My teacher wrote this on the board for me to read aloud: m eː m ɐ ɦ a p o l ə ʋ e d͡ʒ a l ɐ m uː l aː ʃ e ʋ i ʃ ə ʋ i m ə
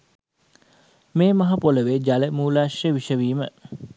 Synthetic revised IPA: m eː m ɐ ɦ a p o l ə ʋ e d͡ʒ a l ə m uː l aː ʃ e ʋ i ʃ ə ʋ iː m ə